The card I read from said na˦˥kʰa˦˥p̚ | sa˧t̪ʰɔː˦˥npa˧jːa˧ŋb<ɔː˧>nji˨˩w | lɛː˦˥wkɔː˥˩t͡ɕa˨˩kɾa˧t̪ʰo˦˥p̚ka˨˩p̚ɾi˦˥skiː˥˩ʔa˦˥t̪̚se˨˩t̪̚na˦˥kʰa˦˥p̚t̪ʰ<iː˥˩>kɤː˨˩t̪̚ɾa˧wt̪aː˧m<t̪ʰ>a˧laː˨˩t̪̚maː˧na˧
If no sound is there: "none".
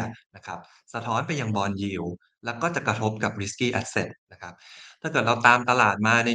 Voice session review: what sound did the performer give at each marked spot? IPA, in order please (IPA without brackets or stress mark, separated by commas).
ɔː˧, aː˥˩, t̪